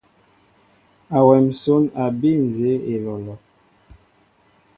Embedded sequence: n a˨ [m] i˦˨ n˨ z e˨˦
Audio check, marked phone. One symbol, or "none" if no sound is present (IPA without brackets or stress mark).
b